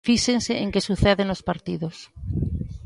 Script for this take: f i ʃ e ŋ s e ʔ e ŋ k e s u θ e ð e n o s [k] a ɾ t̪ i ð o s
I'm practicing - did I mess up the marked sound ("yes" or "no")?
yes